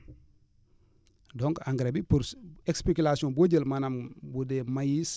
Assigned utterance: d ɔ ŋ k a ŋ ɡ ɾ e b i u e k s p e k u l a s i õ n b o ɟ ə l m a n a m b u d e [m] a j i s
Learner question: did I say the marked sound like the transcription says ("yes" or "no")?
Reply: yes